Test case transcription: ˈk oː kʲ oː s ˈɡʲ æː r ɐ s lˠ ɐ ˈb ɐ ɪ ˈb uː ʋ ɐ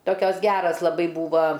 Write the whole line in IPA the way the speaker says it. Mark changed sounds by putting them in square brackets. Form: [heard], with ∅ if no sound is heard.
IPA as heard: [ˈt] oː kʲ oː s ˈɡʲ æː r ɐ s lˠ ɐ ˈb ɐ ɪ ˈb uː ʋ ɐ